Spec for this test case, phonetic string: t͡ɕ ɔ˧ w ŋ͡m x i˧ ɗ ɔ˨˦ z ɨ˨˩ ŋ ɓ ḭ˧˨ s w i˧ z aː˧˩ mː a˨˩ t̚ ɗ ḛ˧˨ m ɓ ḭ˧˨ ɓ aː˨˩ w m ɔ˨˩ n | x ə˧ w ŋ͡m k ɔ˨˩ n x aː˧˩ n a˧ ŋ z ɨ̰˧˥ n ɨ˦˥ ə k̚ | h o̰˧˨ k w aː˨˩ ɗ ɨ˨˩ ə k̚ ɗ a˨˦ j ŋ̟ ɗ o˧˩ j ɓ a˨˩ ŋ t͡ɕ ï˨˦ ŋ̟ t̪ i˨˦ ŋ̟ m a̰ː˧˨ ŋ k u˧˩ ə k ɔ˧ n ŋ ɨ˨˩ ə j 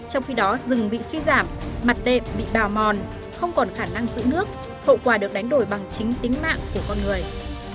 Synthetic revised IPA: t͡ɕ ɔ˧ w ŋ͡m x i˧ ɗ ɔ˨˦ z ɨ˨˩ ŋ ɓ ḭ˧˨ s w i˧ z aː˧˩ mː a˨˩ t̚ ɗ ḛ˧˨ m ɓ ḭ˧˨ ɓ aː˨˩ w m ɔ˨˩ n | x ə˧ w ŋ͡m k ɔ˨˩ n x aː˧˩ n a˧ ŋ z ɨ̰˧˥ n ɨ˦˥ ə k̚ | h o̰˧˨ k w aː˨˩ ɗ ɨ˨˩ ə k̚ ɗ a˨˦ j ŋ̟ ɗ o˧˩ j ɓ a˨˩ ŋ t͡ɕ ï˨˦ ŋ̟ t̪ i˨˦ ŋ̟ m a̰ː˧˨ ŋ k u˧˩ ə k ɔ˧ n ŋ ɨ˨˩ ə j